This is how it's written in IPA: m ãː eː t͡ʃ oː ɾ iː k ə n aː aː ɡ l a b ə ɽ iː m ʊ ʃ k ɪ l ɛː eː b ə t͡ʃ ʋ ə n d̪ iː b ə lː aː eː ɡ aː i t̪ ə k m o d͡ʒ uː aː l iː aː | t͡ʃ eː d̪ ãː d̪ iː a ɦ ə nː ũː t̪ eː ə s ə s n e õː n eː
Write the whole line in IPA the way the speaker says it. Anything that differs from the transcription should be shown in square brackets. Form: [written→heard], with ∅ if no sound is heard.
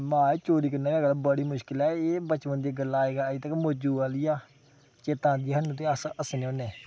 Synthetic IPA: m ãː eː t͡ʃ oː ɾ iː k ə n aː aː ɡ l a b ə ɽ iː m ʊ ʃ k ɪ l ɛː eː b ə t͡ʃ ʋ ə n d̪ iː [b→ɡ] ə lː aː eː ɡ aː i t̪ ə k m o d͡ʒ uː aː l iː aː | t͡ʃ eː [d̪→t̪] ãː d̪ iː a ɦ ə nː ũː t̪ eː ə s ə s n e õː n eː